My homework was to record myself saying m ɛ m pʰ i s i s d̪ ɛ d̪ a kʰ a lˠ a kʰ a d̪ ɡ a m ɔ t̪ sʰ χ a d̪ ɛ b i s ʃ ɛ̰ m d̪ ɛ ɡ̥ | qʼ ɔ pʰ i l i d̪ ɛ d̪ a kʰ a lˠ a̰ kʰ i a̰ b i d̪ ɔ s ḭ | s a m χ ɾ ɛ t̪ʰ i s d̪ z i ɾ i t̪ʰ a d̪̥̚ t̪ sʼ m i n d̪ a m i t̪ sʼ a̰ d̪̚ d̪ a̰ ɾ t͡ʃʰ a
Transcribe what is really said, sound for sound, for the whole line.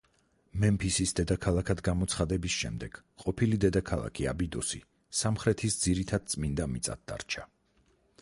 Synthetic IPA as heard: m ɛ m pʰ i s i s d̪ ɛ d̪ a kʰ a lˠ a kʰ a d̪ ɡ a m ɔ t̪ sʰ χ a d̪ ɛ b i s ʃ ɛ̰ m d̪ ɛ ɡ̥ | qʼ ɔ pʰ i l i d̪ ɛ d̪ a kʰ a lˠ a̰ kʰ i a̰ b i d̪ ɔ s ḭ | s a m χ ɾ ɛ t̪ʰ i s d̪ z i ɾ i t̪ʰ a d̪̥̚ t̪ sʼ m i n d̪ a m i t̪ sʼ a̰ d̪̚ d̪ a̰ ɾ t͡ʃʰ a